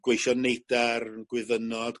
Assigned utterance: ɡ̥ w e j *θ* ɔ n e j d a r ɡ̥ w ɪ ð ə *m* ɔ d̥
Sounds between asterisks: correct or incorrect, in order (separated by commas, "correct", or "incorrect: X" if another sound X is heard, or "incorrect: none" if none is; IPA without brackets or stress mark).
incorrect: ʃ, incorrect: n